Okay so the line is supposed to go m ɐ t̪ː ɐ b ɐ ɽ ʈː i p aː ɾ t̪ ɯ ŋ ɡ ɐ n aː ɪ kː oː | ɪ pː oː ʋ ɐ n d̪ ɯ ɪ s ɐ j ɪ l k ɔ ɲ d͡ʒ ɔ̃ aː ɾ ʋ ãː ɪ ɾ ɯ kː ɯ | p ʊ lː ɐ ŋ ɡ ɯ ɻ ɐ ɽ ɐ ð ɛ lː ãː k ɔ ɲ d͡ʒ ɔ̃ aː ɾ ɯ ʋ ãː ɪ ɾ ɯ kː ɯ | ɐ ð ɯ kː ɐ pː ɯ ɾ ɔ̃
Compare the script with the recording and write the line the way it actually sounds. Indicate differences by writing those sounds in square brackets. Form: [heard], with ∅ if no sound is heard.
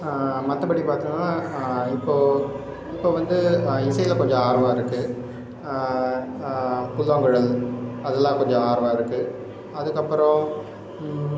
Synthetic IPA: m ɐ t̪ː ɐ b ɐ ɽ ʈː i p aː ɾ t̪ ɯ ŋ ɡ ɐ n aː ɪ [pː] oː | ɪ pː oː ʋ ɐ n d̪ ɯ ɪ s ɐ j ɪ l k ɔ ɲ d͡ʒ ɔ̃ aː ɾ ʋ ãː ɪ ɾ ɯ kː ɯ | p ʊ lː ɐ ŋ ɡ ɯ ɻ ɐ [l] ɐ ð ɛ lː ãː k ɔ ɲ d͡ʒ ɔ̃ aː ɾ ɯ ʋ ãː ɪ ɾ ɯ kː ɯ | ɐ ð ɯ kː ɐ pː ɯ ɾ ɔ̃